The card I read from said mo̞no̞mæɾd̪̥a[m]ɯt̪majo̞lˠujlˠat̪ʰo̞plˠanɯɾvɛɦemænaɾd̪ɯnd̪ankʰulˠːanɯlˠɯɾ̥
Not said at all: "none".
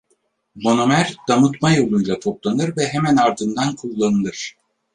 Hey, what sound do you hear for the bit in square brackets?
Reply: m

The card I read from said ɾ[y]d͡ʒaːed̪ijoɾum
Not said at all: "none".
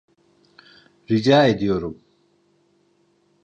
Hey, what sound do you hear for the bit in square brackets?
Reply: i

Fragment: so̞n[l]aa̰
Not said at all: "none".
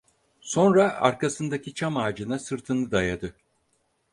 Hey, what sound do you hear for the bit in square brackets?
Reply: ɾ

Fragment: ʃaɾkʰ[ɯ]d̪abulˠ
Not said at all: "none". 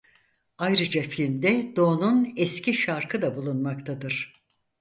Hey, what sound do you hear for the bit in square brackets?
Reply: ɯ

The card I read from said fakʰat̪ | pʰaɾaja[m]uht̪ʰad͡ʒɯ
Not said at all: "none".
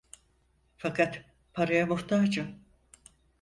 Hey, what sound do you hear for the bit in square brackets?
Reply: m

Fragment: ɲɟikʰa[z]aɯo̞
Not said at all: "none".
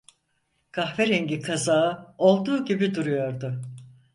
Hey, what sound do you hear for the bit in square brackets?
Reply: z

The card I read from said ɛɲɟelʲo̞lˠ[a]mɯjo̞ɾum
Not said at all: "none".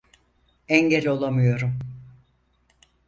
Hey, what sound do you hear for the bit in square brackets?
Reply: a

